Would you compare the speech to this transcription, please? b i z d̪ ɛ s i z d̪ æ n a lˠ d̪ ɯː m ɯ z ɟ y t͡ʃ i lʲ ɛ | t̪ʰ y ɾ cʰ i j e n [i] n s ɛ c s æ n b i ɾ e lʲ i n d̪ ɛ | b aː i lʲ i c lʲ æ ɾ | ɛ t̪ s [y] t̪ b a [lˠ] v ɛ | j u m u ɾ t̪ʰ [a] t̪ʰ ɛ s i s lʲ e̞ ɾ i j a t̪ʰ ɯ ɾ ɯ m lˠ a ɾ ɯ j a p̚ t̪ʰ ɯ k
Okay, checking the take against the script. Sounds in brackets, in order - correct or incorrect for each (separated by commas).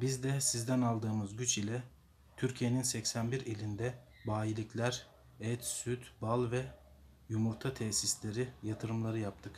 correct, correct, correct, correct